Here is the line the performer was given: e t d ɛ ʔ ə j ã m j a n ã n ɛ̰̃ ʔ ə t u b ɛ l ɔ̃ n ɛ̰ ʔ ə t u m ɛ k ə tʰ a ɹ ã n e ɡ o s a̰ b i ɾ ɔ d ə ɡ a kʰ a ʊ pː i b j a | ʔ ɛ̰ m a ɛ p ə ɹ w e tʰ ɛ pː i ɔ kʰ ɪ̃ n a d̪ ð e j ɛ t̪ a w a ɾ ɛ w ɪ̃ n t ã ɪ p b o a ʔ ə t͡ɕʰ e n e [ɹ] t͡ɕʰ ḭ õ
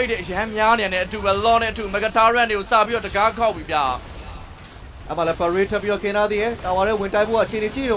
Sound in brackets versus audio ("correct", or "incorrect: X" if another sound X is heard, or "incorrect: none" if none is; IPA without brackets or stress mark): incorrect: none